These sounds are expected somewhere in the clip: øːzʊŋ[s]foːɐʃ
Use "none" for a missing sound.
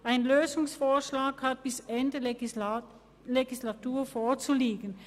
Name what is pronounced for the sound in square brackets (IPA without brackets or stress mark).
s